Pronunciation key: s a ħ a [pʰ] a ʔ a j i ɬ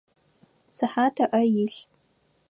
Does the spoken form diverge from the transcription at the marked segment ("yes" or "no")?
yes